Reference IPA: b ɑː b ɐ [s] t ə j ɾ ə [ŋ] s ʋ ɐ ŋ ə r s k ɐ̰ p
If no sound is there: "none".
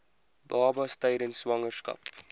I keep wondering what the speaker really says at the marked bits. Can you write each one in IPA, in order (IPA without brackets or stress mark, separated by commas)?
s, n